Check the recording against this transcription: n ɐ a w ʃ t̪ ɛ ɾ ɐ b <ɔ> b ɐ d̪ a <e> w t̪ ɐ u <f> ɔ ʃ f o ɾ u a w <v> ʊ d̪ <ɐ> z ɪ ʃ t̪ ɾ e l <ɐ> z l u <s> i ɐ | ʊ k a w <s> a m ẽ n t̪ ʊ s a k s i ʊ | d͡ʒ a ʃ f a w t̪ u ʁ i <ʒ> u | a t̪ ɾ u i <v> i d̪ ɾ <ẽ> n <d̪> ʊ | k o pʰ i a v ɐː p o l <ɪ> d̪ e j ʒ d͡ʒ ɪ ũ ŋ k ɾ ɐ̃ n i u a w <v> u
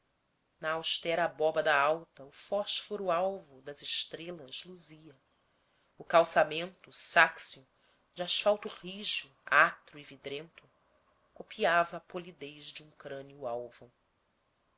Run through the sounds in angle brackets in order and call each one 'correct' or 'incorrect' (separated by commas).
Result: correct, incorrect, correct, correct, correct, correct, incorrect, correct, correct, correct, correct, incorrect, incorrect, correct